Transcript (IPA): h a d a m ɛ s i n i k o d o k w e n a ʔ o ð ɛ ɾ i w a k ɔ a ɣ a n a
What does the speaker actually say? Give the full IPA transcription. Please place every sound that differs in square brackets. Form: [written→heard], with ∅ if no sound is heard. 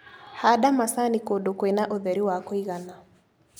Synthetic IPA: h a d a m [ɛ→a] s [i→a] n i k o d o k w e n a ʔ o ð ɛ ɾ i w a k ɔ [a→i] ɣ a n a